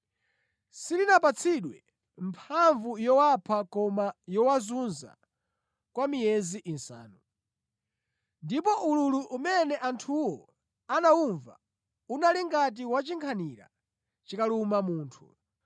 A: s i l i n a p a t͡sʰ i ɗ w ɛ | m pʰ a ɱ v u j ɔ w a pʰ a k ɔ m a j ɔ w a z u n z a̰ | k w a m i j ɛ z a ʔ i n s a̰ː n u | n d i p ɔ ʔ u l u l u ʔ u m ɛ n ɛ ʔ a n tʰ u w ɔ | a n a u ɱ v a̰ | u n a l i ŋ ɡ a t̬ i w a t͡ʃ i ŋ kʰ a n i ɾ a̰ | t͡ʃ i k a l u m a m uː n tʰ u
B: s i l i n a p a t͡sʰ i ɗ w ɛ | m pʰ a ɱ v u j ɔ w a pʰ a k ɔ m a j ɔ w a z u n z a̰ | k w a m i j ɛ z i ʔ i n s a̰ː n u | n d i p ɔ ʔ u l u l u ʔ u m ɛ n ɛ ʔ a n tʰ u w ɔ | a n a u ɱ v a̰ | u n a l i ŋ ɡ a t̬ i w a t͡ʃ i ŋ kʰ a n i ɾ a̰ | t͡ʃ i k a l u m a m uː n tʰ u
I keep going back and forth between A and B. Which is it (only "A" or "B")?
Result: B